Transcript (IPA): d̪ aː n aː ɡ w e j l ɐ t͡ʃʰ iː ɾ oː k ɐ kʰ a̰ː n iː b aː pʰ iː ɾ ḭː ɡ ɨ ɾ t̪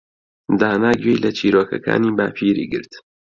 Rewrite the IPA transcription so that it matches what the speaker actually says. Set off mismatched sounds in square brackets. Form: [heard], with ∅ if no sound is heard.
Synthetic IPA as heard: d̪ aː n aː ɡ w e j l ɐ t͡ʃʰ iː ɾ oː k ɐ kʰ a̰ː n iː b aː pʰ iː ɾ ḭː ɡ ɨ ɾ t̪